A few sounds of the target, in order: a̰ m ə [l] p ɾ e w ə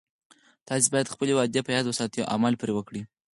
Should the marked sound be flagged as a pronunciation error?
no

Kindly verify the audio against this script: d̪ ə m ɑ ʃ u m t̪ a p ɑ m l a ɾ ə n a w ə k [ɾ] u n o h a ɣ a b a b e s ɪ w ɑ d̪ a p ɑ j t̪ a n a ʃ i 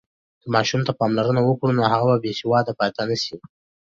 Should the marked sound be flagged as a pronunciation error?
yes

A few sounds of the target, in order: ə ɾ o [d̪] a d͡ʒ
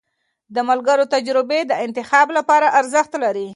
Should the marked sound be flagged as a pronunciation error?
yes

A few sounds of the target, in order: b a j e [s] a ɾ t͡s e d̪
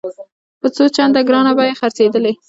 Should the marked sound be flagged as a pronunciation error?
yes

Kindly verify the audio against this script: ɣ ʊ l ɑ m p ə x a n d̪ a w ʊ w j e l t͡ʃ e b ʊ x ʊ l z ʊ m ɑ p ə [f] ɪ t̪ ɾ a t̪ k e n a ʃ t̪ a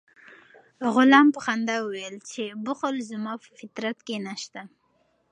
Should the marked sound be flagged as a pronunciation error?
no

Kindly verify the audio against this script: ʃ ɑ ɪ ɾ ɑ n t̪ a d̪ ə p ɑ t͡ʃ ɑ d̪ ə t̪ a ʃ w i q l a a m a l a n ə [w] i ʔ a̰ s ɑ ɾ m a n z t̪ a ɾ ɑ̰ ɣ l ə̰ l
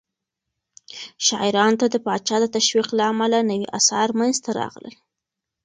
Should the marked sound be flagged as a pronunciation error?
no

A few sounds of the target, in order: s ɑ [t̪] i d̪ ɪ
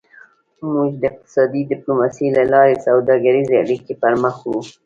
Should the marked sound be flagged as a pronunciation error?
yes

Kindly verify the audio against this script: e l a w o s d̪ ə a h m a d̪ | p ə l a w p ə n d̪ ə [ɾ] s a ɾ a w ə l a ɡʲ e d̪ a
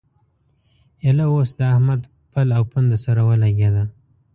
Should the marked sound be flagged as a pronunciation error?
yes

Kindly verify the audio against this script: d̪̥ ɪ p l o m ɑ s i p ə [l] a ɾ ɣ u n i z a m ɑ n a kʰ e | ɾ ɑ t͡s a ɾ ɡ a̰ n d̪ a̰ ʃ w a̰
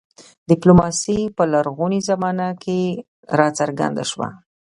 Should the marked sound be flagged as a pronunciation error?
no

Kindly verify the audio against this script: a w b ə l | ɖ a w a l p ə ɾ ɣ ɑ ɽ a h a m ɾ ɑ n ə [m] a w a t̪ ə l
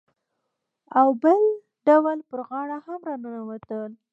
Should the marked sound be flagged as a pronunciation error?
yes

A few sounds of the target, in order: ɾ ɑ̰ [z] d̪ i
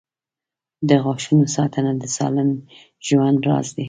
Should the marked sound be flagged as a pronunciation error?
no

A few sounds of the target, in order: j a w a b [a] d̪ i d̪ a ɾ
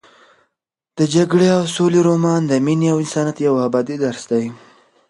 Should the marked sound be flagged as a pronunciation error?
yes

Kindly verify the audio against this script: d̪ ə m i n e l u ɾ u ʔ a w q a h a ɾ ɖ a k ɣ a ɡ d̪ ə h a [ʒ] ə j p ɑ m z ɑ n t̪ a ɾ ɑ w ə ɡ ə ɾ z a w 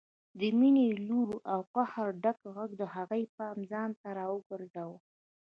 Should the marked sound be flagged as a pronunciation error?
yes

